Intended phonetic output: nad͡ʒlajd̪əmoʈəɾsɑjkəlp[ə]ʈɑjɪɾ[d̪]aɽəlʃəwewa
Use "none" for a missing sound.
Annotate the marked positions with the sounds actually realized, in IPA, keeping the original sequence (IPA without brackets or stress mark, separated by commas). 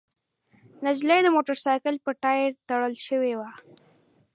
ə, t̪